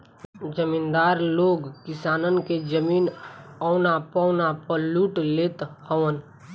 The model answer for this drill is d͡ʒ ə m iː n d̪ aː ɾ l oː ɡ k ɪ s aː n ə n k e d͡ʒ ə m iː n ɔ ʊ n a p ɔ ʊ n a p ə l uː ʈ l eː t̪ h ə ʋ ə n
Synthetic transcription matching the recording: d͡ʒ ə m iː n d̪ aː ɾ l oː ɡ k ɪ s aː n ə n k e d͡ʒ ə m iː n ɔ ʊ n a p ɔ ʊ n a p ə l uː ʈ l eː t̪ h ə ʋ ə n